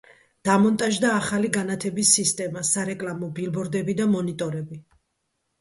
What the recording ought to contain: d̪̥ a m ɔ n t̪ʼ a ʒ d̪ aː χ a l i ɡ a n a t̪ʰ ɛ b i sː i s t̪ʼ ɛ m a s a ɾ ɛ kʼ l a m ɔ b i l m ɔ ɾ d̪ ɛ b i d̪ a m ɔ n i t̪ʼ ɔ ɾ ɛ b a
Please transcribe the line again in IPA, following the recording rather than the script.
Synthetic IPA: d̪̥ a m ɔ n t̪ʼ a ʒ d̪ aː χ a l i ɡ a n a t̪ʰ ɛ b i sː i s t̪ʼ ɛ m a s a ɾ ɛ kʼ l a m ɔ b i l b ɔ ɾ d̪ ɛ b i d̪ a m ɔ n i t̪ʼ ɔ ɾ ɛ b i